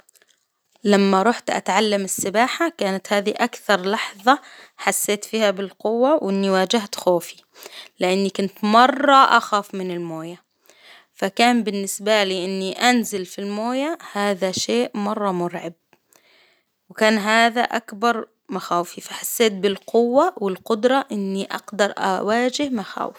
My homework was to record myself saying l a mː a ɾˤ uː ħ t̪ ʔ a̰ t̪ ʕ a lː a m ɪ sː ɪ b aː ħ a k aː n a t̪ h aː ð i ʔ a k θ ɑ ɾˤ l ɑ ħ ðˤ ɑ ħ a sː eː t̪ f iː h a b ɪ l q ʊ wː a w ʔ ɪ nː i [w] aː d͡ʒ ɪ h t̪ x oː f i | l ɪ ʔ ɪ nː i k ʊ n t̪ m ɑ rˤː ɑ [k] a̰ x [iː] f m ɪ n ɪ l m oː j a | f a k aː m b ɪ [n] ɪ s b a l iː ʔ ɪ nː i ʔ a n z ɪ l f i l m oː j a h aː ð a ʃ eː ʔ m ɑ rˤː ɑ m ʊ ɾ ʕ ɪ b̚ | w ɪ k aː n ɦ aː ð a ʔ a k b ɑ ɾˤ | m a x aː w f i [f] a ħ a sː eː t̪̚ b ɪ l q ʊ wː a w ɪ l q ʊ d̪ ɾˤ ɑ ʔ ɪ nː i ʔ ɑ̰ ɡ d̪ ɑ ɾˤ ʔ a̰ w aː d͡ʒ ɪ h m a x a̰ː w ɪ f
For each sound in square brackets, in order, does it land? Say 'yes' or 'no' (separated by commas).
yes, no, no, no, yes